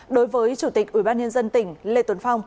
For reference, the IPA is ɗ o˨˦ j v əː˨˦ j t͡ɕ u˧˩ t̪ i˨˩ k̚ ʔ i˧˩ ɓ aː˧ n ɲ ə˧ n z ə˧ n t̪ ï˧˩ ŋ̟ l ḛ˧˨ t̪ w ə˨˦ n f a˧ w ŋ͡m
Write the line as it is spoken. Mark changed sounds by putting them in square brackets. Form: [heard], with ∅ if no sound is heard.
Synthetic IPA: ɗ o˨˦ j v əː˨˦ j t͡ɕ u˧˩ t̪ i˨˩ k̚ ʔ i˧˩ ɓ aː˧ n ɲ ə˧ n z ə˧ n t̪ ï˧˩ ŋ̟ l ḛ˧˨ t̪ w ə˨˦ n f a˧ w ŋ͡m